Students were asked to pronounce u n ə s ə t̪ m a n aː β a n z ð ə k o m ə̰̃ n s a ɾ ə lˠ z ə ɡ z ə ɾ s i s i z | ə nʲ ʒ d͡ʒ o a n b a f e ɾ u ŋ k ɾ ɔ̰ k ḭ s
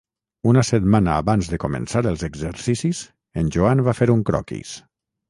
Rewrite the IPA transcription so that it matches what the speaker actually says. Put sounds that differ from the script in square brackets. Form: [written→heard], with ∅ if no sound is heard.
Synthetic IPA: u n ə s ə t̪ m a n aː β a n z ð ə k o m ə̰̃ n s a ɾ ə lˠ z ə ɡ z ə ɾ s i s i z | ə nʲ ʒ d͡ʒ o a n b a f e ɾ u ŋ k ɾ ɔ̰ k ḭ s